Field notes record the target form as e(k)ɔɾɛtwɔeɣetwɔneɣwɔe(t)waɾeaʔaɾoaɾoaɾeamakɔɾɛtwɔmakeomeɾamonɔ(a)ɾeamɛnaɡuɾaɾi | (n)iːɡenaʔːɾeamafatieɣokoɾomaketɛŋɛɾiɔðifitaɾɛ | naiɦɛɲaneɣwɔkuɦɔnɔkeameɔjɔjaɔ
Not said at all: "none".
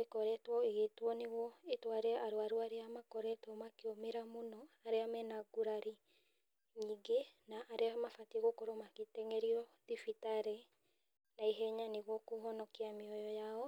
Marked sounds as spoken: k, t, a, ɲ

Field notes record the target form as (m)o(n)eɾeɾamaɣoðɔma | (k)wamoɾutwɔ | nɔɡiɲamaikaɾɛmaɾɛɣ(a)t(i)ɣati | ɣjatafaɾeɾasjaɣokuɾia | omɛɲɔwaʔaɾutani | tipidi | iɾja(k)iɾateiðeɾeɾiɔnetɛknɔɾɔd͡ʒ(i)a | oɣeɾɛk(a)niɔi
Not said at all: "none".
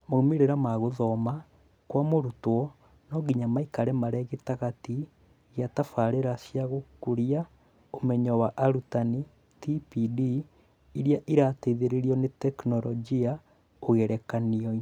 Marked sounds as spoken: m, m, k, e, a, ʔ, i, a

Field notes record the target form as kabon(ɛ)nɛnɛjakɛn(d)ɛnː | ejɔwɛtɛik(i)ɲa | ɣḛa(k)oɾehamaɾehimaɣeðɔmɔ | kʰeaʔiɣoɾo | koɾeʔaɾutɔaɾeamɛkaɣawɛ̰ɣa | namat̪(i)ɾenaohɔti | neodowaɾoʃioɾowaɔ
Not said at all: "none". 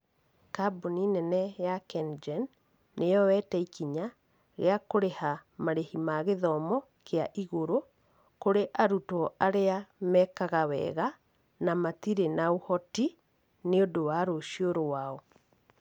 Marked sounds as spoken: i, d͡ʒ, i, k, i

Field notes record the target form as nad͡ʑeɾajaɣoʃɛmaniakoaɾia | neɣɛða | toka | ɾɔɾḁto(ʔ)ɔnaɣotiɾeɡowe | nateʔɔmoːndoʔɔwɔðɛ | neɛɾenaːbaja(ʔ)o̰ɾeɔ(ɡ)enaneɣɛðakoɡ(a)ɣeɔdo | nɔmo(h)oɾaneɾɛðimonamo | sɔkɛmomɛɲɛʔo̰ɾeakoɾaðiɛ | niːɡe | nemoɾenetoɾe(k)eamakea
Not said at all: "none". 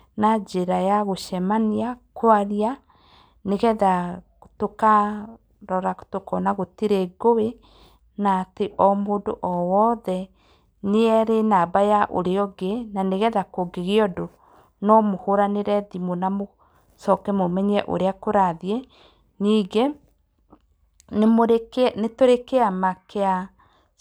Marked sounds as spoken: k, ʔ, ɡ, e, h, k

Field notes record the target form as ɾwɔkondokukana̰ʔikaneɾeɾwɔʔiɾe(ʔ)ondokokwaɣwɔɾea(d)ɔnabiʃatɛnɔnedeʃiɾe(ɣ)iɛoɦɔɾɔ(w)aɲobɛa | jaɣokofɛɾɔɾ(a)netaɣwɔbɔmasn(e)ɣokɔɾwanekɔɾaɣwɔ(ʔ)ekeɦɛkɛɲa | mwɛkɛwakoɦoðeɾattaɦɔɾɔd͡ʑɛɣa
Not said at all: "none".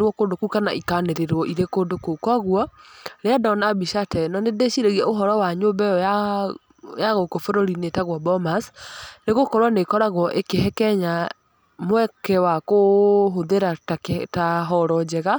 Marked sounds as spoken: k, d, ɣ, w, i, e, ʔ

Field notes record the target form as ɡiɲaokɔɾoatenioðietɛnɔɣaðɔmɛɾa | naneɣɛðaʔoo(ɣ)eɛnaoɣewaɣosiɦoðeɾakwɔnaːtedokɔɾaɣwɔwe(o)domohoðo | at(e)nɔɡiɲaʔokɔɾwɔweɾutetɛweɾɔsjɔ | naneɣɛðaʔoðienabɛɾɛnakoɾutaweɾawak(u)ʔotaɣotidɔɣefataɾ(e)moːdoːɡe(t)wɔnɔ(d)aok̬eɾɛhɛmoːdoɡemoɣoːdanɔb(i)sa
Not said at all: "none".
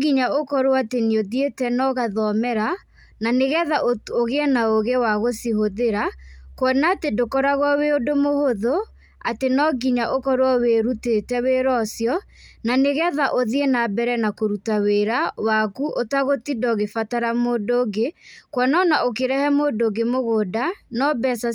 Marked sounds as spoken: ɣ, o, e, u, a, k, n, ɛ

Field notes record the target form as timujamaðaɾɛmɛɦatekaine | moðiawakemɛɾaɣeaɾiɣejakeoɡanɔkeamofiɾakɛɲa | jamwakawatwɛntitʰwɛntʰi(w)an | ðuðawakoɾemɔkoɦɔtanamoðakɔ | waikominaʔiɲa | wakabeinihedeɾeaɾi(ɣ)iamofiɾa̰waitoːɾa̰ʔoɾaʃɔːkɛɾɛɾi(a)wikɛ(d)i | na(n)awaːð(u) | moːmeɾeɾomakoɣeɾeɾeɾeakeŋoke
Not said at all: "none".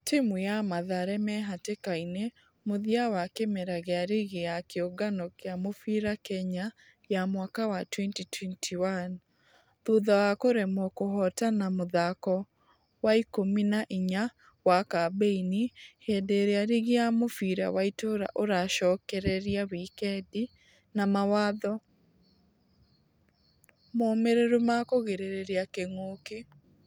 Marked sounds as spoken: w, ɣ, a, d, m, ɔ

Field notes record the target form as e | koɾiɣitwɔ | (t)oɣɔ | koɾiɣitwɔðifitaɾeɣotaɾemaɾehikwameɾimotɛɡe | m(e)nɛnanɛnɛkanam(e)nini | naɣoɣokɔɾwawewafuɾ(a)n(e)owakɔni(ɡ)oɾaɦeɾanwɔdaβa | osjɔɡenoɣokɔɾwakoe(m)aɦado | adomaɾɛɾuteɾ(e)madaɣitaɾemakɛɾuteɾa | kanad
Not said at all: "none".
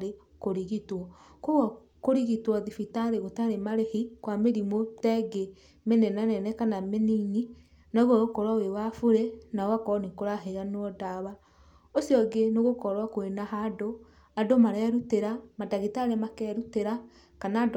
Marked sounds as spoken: k, e, e, e, a, k, n, a

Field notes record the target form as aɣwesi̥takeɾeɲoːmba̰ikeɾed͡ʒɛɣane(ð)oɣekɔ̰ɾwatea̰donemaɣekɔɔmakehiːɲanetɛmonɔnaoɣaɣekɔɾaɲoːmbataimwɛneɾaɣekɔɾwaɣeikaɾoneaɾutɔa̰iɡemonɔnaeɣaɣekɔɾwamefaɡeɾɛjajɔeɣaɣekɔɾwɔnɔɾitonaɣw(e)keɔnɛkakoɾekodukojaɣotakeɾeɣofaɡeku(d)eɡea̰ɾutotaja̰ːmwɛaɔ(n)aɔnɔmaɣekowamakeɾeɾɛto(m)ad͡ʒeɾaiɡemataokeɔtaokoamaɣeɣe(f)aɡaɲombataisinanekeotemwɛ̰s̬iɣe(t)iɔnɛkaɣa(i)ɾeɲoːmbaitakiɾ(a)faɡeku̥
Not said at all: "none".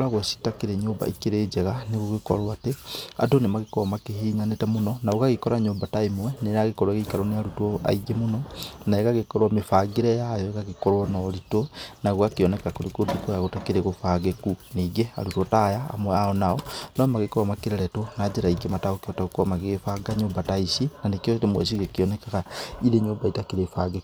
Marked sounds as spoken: ɣ, a, n, n, n, f, k, i, e

